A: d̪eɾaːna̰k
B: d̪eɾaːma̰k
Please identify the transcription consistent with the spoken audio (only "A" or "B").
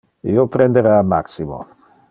B